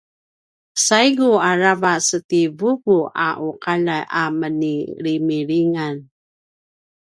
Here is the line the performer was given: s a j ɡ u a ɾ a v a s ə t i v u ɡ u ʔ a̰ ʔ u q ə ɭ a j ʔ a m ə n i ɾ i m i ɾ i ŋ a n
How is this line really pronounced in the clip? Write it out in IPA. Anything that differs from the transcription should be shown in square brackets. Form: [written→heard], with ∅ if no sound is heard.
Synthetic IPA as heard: s a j ɡ u a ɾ a v a s ə t i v u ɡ u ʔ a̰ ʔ u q [ə→a] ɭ a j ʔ a m ə n i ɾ i m i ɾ i ŋ a n

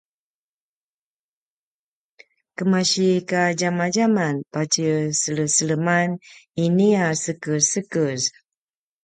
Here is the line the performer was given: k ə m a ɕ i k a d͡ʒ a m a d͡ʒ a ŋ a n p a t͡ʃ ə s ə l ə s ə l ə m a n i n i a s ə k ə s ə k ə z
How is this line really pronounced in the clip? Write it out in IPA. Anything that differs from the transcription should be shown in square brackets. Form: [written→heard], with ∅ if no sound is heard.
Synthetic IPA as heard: k ə m a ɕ i k a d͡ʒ a m a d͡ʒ a [ŋ→m] a n p a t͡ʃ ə s ə l ə s ə l ə m a n i n i a s ə k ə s ə k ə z

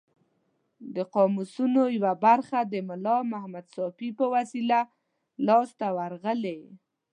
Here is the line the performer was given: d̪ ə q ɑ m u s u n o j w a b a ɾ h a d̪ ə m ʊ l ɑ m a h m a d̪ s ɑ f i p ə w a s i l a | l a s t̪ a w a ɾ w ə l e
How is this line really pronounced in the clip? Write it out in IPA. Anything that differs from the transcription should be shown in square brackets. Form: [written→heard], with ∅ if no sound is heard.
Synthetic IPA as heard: d̪ ə q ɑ m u s u n o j w a b a ɾ [h→x] a d̪ ə m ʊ l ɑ m a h m a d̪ s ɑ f i p ə w a s i l a | l [a→ɑ] s t̪ a w a ɾ [w→ɣ] ə l e

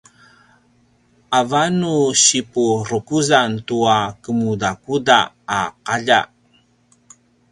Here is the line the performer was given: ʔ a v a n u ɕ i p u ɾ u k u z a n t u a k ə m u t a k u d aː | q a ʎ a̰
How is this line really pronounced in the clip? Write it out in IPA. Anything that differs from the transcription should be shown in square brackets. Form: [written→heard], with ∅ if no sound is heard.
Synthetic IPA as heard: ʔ a v a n u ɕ i p u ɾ u k u z a n t u a k ə m u [t→d] a k u d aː | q a ʎ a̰

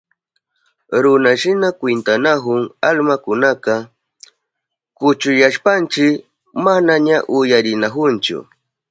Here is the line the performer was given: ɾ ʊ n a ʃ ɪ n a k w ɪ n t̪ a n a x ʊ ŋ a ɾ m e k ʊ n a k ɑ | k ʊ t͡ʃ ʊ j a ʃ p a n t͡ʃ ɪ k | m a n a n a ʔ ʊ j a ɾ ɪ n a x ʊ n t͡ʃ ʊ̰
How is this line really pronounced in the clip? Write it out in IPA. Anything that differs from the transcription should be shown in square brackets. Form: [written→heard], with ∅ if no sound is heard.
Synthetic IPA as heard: ɾ ʊ n a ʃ ɪ n a k w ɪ n t̪ a n a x ʊ ŋ a [ɾ→l] m [e→a] k ʊ n a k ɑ | k ʊ t͡ʃ ʊ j a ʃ p a n t͡ʃ ɪ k | m a n a [n→ɲ] a ʔ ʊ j a ɾ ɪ n a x ʊ n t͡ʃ ʊ̰

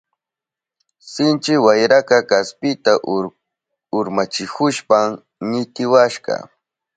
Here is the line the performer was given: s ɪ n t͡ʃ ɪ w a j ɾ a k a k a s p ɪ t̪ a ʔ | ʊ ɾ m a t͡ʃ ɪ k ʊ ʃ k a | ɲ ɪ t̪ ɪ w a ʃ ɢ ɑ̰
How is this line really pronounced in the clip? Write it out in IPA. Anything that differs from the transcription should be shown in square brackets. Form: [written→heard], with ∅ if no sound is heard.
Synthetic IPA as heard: s ɪ n t͡ʃ ɪ w a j ɾ a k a k a s p ɪ t̪ a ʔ | ʊ ɾ m a t͡ʃ ɪ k ʊ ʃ [k→p] a | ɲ ɪ t̪ ɪ w a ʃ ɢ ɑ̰

